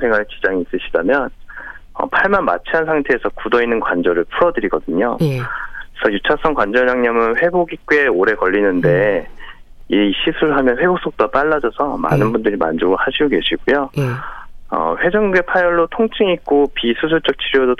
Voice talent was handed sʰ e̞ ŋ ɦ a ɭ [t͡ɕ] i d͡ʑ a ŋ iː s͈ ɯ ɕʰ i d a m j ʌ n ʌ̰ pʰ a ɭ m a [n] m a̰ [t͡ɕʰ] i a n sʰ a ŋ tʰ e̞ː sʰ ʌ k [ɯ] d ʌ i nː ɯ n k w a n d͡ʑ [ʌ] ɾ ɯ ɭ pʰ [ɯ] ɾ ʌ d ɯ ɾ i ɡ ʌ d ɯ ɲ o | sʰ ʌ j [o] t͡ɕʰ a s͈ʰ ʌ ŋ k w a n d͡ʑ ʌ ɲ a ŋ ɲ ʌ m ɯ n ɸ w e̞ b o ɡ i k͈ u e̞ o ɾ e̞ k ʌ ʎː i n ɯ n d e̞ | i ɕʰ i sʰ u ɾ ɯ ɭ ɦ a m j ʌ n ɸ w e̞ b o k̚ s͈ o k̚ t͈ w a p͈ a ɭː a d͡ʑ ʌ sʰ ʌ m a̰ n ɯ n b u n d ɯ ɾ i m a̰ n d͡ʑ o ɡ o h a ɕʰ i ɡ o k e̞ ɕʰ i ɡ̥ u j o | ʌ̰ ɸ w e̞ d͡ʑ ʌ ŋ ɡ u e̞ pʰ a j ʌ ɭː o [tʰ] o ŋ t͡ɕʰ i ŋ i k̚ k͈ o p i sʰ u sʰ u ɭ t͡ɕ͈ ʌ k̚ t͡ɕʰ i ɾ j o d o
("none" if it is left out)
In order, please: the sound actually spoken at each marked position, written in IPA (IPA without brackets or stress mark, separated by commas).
t͡ɕ, n, t͡ɕʰ, u, ʌ, u, u, tʰ